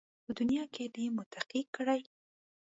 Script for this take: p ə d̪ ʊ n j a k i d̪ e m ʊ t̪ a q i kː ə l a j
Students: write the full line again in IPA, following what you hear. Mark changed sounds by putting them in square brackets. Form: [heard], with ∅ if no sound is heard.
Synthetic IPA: p ə d̪ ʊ n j [ɑ] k [e] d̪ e m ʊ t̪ a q i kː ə [ɽ] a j

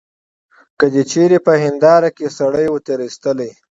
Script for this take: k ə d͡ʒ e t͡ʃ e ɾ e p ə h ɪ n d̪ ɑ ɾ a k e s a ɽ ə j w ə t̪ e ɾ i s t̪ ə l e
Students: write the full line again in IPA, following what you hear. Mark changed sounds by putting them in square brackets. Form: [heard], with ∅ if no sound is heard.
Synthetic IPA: k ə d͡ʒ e t͡ʃ e ɾ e p ə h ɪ n d̪ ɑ ɾ a k e s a ɽ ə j w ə t̪ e ɾ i s t̪ ə l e

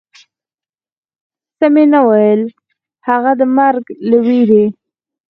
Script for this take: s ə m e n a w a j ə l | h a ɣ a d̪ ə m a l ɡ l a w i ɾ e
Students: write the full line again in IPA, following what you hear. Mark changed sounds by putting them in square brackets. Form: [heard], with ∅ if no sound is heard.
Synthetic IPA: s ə m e n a w a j ə l | h a ɣ a d̪ ə m a [ɾ] ɡ l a w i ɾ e

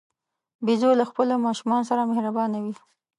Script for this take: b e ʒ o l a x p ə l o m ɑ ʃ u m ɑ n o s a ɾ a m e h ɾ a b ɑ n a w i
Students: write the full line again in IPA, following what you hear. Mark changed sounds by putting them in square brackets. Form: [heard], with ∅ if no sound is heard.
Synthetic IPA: b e [z] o l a x p ə l o m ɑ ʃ u m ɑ n o s a ɾ a m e h ɾ a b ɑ n a w i

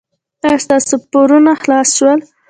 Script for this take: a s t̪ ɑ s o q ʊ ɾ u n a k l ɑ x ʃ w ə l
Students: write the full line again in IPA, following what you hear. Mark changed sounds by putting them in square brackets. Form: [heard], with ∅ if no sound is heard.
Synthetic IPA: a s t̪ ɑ s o [p] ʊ ɾ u n a [x] l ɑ [s] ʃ w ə l

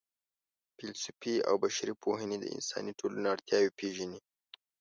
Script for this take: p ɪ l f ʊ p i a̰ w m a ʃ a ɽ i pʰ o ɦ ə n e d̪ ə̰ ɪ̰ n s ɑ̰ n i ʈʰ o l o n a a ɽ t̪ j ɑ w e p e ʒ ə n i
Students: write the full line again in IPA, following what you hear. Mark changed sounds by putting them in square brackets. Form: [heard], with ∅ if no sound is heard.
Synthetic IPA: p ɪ l [s] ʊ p i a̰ w [b] a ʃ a [ɾ] i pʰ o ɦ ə n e d̪ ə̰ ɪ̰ n s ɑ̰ n i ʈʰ o l [u] n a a ɽ t̪ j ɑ w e p e ʒ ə n i

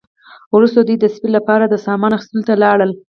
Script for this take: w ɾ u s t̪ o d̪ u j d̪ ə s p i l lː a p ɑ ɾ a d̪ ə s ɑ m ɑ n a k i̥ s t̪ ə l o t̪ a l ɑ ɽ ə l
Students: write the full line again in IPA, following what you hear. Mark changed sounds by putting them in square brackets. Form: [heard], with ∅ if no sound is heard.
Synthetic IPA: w ɾ u s t̪ o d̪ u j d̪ ə s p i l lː a p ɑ ɾ a d̪ ə s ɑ m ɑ n a [x] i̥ s t̪ ə l o t̪ a l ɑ ɽ ə l

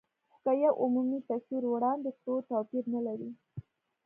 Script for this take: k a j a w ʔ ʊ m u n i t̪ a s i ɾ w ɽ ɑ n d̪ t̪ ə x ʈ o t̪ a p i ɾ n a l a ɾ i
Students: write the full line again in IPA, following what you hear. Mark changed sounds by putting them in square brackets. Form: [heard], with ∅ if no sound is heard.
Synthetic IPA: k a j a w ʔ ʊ m u [m] i t̪ a s i ɾ w ɽ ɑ n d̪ [d̪] ə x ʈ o t̪ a p i ɾ n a l a ɾ i

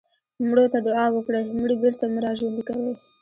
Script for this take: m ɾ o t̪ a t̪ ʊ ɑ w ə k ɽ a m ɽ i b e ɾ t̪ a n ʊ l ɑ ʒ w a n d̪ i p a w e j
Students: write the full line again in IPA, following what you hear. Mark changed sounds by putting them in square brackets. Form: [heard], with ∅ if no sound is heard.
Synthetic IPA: m [ɽ] o t̪ a [d̪] ʊ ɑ w ə k ɽ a m ɽ i b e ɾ t̪ a [m] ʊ [ɾ] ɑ ʒ w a n d̪ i [k] a w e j

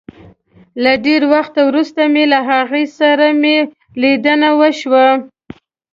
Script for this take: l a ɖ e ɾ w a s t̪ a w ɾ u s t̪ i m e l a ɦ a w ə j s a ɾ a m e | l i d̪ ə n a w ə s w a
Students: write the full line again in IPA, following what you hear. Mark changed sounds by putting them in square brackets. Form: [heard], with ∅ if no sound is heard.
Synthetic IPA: l a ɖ e ɾ w a [x] t̪ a w ɾ u s t̪ [a] m e l a ɦ a [ɣ] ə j s a ɾ a m e | l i d̪ ə n a w ə [ʃ] w a

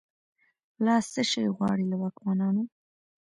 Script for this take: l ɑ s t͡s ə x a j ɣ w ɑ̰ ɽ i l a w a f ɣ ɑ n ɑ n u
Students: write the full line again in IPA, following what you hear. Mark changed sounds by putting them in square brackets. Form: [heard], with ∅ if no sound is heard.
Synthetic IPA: l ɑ s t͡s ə [ʃ] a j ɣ w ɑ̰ ɽ i l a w a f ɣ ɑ n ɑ n [o]

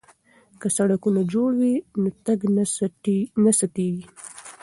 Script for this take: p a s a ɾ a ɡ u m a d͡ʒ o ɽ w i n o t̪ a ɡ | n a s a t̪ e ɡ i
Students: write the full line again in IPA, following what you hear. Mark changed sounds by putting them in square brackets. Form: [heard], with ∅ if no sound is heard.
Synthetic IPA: [k] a s a [ɽ] a [k] u [n] a d͡ʒ o ɽ w i n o t̪ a ɡ | n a s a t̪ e ɡ i

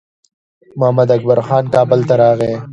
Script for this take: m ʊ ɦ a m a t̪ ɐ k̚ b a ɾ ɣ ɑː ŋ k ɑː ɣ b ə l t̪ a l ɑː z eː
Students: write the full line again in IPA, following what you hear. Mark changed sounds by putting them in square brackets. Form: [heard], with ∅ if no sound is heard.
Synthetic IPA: m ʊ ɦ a m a [d̪] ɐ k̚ b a ɾ [x] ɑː [n] k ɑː [∅] b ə l t̪ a [ɾ] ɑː [ɣ] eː

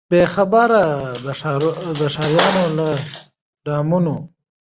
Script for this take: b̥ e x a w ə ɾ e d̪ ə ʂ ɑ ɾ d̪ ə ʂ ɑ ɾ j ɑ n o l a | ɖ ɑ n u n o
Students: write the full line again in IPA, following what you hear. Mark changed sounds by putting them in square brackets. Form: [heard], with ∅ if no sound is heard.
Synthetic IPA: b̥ e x a [b] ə ɾ [a] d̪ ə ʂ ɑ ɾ d̪ ə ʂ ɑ ɾ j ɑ n o l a | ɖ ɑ [m] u n o

